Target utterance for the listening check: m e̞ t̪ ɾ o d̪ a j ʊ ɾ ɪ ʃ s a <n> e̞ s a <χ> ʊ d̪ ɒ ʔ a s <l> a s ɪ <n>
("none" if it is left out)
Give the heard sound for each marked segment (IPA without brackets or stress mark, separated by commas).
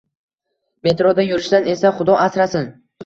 n, χ, ɾ, n